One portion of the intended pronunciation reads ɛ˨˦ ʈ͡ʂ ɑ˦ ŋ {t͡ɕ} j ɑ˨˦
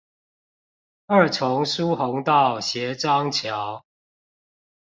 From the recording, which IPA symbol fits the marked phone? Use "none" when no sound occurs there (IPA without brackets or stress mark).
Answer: t͡ɕʰ